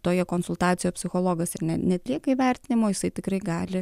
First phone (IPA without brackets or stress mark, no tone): t̪